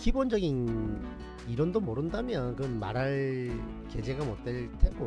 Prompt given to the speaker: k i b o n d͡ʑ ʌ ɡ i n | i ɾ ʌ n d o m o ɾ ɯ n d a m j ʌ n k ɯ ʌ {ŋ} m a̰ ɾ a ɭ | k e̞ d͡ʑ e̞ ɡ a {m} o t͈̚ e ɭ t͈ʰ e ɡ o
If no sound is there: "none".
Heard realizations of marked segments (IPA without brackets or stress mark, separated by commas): n, m